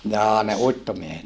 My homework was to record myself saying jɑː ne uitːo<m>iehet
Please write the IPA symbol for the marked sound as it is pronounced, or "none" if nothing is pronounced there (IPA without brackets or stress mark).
m